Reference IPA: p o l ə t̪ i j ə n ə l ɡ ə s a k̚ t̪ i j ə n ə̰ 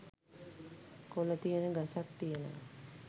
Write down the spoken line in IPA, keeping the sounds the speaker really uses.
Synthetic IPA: k o l ə t̪ i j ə n ə ɡ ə s a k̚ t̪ i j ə n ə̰